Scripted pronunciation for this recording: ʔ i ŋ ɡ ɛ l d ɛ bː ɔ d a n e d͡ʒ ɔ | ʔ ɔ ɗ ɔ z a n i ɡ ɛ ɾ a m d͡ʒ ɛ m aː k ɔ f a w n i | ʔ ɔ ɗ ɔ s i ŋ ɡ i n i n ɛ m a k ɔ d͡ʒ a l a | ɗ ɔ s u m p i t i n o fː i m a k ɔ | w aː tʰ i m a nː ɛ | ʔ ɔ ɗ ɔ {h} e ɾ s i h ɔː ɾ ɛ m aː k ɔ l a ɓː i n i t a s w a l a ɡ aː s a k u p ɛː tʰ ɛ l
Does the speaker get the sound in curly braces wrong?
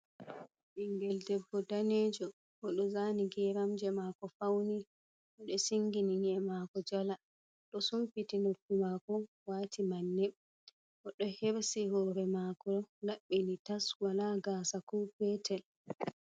no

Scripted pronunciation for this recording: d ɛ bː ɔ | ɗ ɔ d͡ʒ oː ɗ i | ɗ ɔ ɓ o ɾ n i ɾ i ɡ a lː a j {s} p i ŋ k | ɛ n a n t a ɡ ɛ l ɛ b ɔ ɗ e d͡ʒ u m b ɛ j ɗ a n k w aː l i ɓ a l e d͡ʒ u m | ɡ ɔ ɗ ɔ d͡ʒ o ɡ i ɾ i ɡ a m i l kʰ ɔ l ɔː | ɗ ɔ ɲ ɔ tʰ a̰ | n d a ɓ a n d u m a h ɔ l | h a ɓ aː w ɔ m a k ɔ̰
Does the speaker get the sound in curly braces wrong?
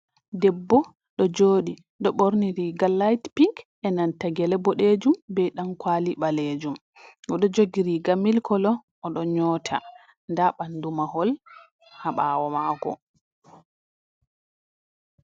yes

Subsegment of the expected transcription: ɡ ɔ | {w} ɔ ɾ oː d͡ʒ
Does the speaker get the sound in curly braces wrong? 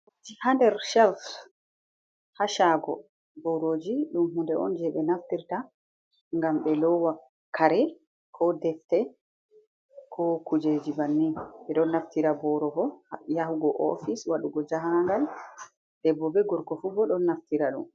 yes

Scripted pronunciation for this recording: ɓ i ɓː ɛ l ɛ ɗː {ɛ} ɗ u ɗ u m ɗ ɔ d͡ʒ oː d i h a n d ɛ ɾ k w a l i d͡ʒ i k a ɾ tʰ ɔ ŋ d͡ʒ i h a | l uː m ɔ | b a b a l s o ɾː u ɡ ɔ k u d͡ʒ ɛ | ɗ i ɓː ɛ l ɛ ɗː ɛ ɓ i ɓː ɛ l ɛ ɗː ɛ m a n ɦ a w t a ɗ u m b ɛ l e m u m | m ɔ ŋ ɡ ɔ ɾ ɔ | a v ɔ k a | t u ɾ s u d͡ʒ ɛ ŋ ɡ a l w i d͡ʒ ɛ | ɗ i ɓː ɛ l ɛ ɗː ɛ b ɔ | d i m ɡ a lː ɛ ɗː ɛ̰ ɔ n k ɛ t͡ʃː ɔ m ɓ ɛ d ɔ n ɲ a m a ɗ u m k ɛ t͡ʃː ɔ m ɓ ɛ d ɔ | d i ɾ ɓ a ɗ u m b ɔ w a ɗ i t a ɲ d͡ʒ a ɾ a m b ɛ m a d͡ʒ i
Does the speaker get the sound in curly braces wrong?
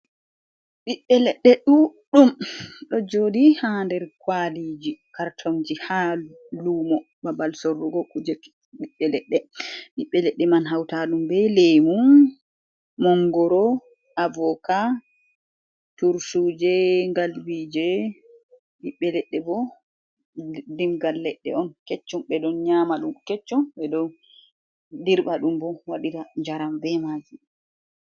no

